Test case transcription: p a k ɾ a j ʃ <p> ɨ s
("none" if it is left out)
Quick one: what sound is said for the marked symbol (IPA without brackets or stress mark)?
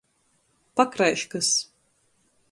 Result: k